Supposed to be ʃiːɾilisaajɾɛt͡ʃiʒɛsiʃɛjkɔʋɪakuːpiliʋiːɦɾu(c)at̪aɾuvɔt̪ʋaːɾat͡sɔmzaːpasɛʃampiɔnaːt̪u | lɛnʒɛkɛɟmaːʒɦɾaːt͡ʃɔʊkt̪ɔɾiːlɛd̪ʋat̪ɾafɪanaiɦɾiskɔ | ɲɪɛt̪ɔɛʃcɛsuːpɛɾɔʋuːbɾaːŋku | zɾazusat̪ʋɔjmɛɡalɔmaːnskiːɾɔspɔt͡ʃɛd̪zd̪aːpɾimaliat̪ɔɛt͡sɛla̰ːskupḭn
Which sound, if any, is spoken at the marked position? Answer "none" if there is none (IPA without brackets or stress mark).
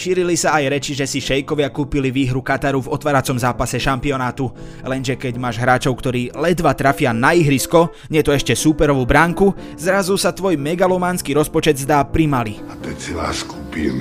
k